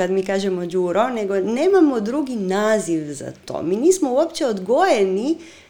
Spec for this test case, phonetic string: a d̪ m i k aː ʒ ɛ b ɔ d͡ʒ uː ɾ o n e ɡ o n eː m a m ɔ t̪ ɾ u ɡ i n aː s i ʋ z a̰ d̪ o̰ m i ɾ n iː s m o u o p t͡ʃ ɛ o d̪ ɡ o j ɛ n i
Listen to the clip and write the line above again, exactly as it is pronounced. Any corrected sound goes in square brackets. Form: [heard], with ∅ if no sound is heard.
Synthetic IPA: a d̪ m i k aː ʒ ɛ [m] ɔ d͡ʒ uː ɾ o n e ɡ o n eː m a m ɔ [d̪] ɾ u ɡ i n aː [z] i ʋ z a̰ [t̪] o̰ m i [∅] n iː s m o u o p t͡ʃ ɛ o d̪ ɡ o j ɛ n i